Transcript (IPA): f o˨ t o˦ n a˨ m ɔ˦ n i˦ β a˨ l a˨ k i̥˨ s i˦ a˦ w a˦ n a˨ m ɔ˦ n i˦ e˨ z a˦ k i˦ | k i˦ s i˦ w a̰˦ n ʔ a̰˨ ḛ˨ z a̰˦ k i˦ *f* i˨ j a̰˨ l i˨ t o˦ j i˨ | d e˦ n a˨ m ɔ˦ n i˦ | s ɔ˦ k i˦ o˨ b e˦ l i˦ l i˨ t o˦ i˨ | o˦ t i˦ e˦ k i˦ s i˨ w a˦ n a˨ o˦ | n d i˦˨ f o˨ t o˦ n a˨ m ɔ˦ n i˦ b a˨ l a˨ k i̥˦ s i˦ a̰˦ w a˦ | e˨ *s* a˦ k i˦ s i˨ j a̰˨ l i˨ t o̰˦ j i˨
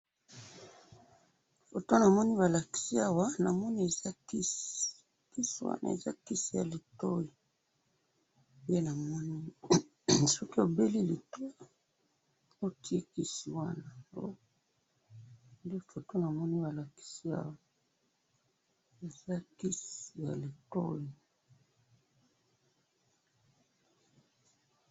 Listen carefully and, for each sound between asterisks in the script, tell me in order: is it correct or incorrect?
incorrect: s, incorrect: z

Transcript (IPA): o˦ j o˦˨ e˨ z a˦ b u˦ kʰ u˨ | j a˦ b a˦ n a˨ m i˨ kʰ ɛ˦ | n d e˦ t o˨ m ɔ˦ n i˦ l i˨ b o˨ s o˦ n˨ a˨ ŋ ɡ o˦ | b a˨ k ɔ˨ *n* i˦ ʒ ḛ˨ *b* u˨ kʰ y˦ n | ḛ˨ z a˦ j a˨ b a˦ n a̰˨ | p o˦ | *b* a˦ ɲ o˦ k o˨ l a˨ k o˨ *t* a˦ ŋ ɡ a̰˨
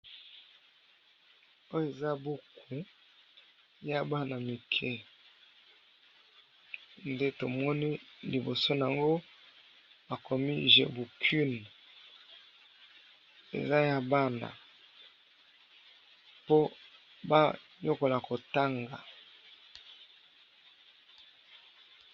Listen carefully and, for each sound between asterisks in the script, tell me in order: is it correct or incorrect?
incorrect: m, correct, correct, correct

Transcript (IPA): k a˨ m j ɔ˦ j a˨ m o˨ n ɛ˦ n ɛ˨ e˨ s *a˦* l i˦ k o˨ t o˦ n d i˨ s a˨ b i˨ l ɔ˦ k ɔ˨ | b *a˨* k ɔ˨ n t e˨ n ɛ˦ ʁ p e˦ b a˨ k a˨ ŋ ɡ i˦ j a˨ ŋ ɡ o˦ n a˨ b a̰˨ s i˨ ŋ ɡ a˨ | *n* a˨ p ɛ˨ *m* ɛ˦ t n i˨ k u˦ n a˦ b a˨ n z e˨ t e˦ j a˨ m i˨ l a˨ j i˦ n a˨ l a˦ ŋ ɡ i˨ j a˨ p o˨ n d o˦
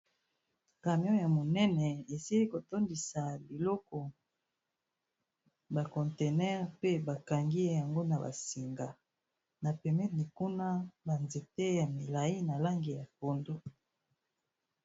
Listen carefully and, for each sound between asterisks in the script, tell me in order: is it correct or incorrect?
incorrect: i˦, correct, correct, correct

